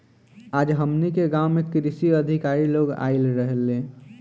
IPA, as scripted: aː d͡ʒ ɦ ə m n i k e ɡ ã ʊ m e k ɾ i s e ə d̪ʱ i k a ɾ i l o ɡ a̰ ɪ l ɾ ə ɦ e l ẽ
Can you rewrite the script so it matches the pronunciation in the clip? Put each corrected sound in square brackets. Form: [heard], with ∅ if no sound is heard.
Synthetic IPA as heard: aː d͡ʒ ɦ ə m n i k e ɡ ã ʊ m e k ɾ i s [i] ə d̪ʱ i k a ɾ i l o ɡ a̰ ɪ l ɾ ə ɦ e l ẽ